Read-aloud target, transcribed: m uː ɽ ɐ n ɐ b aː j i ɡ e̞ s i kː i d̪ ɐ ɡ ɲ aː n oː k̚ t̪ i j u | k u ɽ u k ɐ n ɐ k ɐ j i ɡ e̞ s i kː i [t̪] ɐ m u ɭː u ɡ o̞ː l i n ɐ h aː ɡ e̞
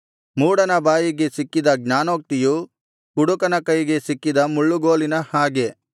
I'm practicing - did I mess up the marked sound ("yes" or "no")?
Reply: yes